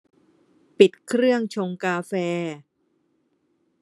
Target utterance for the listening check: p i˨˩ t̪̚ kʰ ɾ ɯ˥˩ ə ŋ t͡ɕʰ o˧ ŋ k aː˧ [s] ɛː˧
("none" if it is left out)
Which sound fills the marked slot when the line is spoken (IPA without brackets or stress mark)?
f